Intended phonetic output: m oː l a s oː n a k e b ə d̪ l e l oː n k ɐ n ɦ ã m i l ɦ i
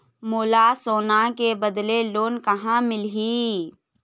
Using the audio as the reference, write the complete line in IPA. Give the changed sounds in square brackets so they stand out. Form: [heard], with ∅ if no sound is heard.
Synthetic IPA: m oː l a s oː n a k e b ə d̪ l e l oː n k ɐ [∅] ɦ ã m [ɪ] l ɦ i